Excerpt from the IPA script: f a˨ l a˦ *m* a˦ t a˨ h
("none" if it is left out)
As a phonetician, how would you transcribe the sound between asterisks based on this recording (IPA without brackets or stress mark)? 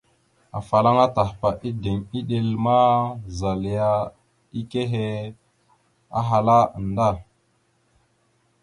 ŋ